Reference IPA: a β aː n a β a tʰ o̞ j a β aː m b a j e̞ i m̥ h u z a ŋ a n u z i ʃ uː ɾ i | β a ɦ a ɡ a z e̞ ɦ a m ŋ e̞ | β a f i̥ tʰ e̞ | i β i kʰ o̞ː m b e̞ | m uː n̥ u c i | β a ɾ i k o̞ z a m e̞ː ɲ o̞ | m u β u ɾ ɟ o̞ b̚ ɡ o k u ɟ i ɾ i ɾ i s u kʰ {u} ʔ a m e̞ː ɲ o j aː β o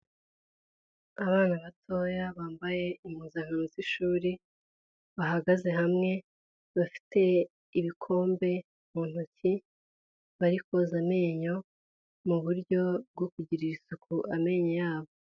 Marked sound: correct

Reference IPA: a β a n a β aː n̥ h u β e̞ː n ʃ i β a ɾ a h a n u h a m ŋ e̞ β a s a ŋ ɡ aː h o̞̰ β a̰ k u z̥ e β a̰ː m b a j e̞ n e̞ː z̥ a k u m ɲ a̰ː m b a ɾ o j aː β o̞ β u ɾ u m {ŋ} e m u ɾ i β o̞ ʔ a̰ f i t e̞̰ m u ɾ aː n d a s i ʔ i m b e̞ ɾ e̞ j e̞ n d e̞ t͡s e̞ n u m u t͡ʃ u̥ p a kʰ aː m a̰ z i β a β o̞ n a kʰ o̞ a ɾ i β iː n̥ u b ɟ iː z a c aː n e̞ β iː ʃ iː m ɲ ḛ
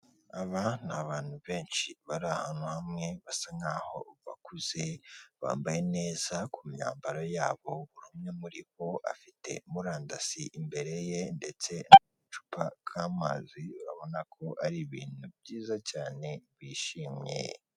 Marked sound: incorrect: ɲ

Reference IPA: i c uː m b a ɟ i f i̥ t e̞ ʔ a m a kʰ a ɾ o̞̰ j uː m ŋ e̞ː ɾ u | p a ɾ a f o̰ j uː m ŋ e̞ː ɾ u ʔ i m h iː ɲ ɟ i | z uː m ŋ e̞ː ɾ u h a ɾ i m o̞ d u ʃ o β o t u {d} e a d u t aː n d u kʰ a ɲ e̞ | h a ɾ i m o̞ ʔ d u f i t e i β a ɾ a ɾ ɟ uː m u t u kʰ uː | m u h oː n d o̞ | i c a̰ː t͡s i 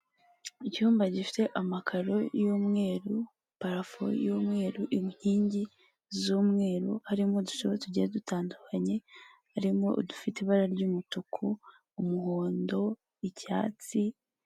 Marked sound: incorrect: ɟ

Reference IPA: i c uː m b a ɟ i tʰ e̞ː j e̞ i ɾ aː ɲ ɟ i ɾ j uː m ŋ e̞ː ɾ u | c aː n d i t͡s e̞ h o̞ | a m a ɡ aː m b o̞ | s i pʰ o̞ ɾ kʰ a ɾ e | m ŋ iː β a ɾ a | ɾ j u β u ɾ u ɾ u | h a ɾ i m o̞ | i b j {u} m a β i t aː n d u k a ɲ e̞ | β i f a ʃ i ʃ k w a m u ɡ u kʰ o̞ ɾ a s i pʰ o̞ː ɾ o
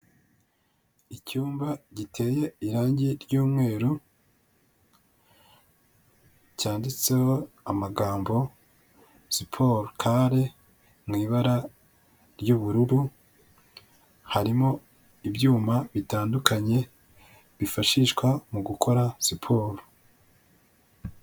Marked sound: incorrect: uː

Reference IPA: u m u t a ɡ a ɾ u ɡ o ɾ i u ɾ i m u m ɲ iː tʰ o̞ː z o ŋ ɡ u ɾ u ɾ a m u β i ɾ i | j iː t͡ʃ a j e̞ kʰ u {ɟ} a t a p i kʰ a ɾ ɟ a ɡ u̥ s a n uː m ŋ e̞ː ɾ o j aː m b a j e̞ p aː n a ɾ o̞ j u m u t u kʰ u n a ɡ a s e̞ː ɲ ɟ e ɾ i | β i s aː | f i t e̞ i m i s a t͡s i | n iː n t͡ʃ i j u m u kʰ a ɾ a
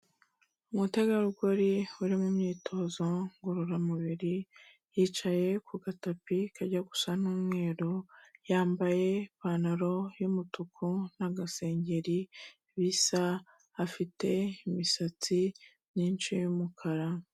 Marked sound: incorrect: ɡ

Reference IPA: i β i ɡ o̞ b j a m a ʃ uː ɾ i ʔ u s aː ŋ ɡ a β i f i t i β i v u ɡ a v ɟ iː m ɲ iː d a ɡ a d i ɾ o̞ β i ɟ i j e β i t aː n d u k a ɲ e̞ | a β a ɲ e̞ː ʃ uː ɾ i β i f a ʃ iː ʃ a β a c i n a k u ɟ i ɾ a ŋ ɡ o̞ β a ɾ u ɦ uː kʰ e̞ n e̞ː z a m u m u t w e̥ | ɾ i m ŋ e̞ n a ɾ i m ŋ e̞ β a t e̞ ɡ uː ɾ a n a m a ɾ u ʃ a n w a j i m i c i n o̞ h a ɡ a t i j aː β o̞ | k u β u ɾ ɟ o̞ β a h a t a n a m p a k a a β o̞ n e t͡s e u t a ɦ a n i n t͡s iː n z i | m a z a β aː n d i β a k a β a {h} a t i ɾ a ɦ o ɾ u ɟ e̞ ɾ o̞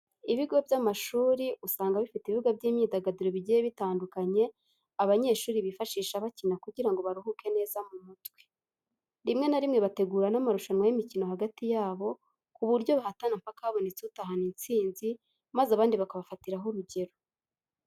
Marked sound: incorrect: f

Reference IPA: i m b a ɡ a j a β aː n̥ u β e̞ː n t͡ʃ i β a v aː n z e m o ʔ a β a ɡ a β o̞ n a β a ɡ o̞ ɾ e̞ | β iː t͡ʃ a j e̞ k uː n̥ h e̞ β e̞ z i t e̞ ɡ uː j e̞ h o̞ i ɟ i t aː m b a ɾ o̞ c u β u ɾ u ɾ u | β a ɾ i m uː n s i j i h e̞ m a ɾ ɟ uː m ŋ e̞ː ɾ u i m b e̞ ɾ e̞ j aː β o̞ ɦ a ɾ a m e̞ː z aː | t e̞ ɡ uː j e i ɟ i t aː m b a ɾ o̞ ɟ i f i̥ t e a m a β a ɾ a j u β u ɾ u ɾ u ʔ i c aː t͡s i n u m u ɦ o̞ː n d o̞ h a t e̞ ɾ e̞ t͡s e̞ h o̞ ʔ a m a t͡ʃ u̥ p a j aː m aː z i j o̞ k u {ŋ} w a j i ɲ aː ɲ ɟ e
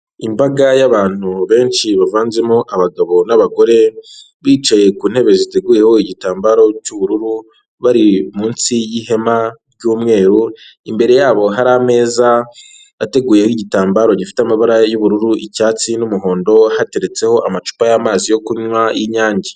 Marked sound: incorrect: ɲ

